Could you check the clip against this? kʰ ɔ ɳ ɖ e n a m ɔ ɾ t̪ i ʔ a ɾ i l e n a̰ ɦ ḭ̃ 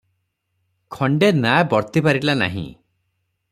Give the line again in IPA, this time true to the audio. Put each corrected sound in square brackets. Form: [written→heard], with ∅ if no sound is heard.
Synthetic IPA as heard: kʰ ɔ ɳ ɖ e n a [m→b] ɔ ɾ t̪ i [ʔ→p] a ɾ i l [e→a] n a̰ ɦ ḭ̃